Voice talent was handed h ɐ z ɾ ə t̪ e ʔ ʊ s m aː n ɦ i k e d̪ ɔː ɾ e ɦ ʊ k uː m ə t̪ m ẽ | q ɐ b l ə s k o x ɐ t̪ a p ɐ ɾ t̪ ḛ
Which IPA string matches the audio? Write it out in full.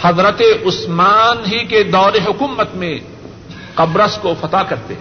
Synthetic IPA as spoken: h ɐ z ɾ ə t̪ e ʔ ʊ s m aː n ɦ i k e d̪ ɔː ɾ e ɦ ʊ k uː m ə t̪ m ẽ | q ɐ b ɾ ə s k o f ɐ t̪ a k ɐ ɾ t̪ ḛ